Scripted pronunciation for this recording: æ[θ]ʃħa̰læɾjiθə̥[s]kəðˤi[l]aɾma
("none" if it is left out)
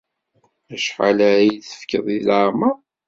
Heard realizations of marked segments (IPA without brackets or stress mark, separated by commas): none, f, l